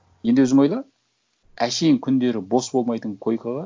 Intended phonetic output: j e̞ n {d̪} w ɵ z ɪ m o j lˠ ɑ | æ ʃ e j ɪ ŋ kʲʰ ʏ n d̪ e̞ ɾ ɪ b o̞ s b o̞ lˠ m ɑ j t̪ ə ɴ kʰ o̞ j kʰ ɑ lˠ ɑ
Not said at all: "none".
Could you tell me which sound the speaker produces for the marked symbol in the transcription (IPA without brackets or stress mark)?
d̪